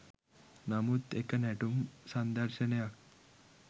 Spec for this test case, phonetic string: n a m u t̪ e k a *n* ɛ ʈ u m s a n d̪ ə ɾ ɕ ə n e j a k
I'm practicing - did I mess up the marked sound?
no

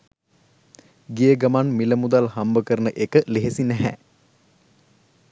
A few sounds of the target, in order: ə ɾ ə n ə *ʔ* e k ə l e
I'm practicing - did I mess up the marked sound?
no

